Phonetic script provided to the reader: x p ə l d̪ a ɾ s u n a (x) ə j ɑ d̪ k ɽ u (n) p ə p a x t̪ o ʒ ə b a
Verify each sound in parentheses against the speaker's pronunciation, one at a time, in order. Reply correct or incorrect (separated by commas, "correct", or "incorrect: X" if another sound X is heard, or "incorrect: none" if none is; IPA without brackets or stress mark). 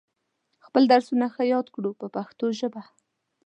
correct, incorrect: none